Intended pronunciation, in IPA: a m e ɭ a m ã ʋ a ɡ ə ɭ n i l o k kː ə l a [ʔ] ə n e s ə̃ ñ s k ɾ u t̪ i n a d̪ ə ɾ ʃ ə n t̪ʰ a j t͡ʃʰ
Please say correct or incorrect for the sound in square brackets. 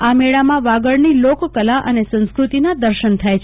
correct